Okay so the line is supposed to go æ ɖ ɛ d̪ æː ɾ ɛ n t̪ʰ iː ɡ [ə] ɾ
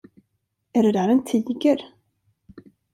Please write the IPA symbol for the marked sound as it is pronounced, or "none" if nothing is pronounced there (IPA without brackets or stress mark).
ə